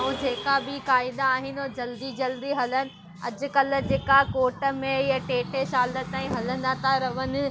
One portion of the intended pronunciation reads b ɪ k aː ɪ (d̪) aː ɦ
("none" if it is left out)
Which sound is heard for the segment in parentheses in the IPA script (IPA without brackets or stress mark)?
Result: d̪